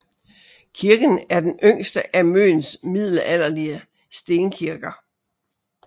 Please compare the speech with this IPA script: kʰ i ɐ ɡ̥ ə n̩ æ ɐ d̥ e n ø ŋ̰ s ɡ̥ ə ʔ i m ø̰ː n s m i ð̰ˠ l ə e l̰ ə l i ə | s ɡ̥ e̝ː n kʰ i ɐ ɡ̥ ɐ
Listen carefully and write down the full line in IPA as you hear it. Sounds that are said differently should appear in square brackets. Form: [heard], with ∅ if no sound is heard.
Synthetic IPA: kʰ i ɐ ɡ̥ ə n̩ æ ɐ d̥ e n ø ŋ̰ s [d̥] ə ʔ [æ] m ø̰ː n s m i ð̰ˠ l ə [æ] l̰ [ɐ] l i ə | s [d̥] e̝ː n kʰ i ɐ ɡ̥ ɐ